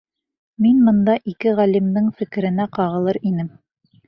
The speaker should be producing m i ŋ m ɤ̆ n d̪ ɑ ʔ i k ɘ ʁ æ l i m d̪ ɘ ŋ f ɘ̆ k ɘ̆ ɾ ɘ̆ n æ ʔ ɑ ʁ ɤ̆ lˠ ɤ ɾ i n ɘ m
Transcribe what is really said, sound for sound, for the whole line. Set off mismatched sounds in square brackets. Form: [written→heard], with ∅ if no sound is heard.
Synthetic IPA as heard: m i [ŋ→n] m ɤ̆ n d̪ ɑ ʔ i k ɘ ʁ æ l i m d̪ ɘ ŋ f ɘ̆ k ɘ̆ ɾ ɘ̆ n æ [ʔ→q] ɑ ʁ ɤ̆ lˠ ɤ ɾ i n ɘ m